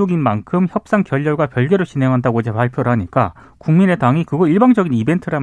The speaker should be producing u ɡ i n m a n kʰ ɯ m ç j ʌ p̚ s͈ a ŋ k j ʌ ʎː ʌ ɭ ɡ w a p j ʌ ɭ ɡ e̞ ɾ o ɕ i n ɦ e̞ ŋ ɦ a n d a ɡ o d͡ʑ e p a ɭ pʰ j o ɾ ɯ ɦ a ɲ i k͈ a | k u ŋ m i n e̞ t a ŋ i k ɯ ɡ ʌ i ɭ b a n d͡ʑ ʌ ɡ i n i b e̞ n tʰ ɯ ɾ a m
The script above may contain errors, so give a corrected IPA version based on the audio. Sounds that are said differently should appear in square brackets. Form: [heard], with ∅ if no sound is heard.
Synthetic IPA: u ɡ i n m a n kʰ ɯ m ç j ʌ p̚ s͈ a ŋ k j ʌ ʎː ʌ ɭ ɡ w a p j ʌ ɭ ɡ e̞ ɾ o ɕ i n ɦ e̞ ŋ ɦ a n d a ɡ o d͡ʑ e p a ɭ pʰ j o ɾ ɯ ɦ a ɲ i k͈ a | k u ŋ m i n e̞ t a ŋ i k ɯ ɡ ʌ i ɭ b a [ŋ] d͡ʑ ʌ ɡ i n i b e̞ n tʰ ɯ ɾ a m